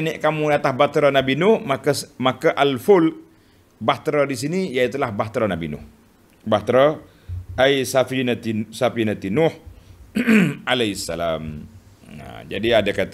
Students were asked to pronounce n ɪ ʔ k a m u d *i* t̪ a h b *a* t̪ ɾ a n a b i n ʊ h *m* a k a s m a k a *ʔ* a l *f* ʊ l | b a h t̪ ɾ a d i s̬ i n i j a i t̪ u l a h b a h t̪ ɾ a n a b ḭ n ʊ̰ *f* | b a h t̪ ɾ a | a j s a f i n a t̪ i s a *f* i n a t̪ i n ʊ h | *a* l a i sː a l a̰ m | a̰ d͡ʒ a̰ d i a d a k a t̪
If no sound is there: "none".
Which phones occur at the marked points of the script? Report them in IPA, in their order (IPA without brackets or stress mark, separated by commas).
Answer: a, a, m, ʔ, f, h, f, a